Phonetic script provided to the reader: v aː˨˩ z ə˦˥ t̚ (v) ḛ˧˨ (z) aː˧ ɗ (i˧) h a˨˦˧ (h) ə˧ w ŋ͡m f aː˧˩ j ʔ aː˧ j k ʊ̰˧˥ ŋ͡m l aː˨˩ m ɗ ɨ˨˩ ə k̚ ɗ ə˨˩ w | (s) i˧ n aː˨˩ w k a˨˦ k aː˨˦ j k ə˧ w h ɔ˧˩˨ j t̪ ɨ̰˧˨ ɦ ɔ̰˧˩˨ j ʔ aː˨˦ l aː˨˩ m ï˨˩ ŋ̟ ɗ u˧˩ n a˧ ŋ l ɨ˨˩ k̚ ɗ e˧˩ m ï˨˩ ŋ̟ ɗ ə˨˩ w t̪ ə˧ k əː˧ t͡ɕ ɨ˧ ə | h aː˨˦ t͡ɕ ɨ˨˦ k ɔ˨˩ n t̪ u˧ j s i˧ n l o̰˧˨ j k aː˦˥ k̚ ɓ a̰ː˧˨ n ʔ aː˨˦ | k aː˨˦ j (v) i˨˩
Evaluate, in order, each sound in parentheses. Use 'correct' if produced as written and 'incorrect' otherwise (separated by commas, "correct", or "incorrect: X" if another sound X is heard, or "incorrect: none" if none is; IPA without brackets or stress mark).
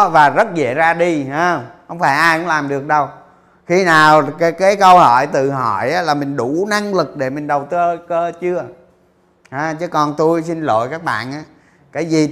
incorrect: z, correct, correct, correct, incorrect: x, incorrect: z